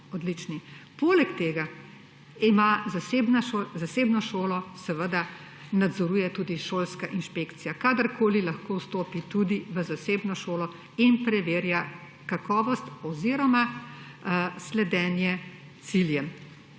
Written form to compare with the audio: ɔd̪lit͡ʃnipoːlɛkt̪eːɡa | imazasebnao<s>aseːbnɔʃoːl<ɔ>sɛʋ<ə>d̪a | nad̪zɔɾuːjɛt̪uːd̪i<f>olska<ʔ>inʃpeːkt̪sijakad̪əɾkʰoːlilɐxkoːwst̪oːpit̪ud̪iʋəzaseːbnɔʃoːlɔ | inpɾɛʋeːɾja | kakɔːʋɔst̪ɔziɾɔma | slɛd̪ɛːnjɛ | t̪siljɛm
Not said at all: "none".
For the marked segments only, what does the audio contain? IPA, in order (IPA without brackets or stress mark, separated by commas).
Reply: z, ɔ, ə, ʃ, ʔ